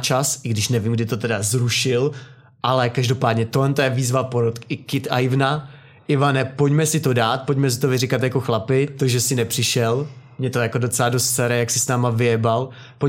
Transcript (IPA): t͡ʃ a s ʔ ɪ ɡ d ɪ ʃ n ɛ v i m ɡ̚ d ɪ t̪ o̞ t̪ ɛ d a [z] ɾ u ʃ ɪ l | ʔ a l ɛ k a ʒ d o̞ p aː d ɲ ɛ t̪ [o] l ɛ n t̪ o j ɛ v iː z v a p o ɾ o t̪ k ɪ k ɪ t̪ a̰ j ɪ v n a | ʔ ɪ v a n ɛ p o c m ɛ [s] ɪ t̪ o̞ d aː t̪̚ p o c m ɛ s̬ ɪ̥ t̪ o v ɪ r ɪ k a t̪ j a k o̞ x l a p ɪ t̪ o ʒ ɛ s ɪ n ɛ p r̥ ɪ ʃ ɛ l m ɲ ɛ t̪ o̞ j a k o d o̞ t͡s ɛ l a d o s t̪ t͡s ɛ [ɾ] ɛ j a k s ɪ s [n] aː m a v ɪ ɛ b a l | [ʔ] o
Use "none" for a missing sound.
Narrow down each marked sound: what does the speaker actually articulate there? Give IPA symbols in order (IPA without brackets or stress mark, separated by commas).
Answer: z, o, s, ɾ, n, p